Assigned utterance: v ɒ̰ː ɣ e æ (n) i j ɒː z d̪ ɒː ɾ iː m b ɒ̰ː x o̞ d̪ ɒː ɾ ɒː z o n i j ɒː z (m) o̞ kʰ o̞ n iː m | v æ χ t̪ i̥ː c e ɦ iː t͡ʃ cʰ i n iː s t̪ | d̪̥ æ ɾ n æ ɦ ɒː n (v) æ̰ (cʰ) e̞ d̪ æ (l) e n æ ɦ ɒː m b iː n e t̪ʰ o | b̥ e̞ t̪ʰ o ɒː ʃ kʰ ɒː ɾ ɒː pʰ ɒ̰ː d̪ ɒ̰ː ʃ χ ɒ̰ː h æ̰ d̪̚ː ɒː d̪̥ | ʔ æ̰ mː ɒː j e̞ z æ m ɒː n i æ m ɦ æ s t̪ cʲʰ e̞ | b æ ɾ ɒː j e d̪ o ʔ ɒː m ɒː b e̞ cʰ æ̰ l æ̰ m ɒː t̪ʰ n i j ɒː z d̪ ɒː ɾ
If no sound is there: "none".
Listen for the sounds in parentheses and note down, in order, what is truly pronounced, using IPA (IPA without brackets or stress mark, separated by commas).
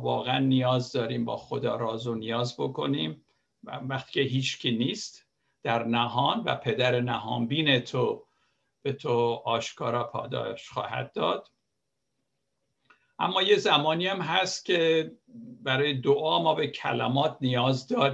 nː, b, v, pʰ, ɾ